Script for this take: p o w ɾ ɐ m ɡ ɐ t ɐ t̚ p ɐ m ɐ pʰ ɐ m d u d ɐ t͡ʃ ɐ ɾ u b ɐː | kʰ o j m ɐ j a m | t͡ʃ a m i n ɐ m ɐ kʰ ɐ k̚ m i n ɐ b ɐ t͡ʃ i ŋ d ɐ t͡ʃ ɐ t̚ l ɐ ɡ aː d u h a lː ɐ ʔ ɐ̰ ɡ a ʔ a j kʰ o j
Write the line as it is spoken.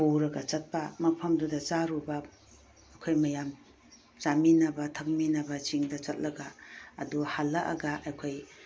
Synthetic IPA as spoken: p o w ɾ ɐ ɡ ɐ t͡ʃ ɐ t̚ p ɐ m ɐ pʰ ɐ m d u d ɐ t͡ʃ a ɾ u b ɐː | kʰ o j m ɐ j a m | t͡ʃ a m i n ɐ b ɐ tʰ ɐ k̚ m i n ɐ b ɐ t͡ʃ i ŋ d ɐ t͡ʃ ɐ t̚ l ɐ ɡ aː d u h a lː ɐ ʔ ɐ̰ ɡ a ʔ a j kʰ o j